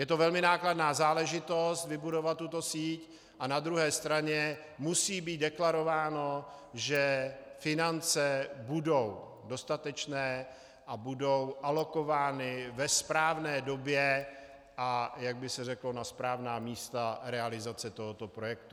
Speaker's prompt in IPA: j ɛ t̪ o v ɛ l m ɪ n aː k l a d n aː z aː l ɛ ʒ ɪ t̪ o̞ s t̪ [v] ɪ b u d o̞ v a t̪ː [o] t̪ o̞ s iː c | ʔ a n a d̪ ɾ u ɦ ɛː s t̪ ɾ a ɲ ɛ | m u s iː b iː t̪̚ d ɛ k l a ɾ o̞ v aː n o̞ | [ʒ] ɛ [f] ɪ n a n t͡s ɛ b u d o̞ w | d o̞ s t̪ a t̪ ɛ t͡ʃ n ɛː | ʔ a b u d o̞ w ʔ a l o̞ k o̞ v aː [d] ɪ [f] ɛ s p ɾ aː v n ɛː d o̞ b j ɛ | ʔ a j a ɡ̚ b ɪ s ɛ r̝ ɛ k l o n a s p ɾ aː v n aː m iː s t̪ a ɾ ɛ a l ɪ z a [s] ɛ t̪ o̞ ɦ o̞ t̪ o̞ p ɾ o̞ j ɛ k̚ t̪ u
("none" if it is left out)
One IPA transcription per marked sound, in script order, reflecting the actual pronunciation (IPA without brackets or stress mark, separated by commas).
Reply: v, u, ʒ, f, n, v, t͡s